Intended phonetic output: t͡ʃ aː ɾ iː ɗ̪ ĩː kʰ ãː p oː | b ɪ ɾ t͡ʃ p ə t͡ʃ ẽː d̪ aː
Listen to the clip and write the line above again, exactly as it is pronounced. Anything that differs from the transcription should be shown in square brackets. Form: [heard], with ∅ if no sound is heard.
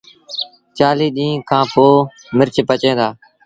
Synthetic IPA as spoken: t͡ʃ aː [l] iː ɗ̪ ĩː kʰ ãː p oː | [m] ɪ ɾ t͡ʃ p ə t͡ʃ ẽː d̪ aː